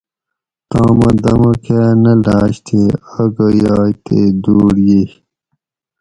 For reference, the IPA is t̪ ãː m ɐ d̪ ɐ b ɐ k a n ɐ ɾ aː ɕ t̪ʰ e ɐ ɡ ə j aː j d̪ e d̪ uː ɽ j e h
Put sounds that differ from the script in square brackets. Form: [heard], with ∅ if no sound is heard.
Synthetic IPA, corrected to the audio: t̪ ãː m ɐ d̪ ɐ [m] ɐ k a n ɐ [l] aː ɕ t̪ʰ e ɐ ɡ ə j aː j [t̪] e d̪ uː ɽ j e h